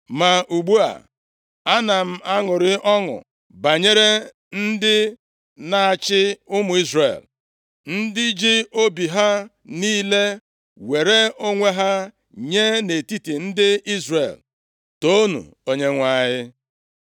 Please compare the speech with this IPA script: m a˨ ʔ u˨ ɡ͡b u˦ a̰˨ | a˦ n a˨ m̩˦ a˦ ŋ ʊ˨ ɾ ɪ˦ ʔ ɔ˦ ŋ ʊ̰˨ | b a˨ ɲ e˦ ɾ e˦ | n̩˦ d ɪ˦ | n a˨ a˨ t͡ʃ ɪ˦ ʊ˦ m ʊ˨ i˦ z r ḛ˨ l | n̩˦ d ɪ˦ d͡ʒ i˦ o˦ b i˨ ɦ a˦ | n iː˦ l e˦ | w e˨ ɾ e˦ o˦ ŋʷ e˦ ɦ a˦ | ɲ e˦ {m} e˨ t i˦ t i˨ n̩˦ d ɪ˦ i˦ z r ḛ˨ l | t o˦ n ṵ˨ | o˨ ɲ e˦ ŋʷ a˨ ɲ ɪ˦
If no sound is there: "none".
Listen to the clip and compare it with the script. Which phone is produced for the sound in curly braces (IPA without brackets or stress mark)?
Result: n